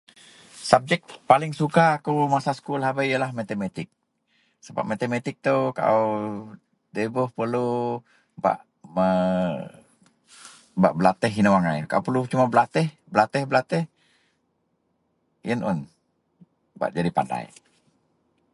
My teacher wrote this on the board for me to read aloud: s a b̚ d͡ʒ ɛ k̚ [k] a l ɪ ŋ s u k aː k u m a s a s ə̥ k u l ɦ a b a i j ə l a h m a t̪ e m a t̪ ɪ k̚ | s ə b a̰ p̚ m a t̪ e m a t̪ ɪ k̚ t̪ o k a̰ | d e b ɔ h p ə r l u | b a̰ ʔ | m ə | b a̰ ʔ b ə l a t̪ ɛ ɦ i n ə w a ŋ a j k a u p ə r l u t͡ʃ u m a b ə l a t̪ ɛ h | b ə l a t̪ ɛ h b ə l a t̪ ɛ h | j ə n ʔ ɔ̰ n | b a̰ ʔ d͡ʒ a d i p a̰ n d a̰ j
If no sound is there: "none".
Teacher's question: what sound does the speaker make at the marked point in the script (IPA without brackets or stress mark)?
p